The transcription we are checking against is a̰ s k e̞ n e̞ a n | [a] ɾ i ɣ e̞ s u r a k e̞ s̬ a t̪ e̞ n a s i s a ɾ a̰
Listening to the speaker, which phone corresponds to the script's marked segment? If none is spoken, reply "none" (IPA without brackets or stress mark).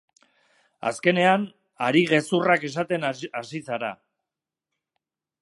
a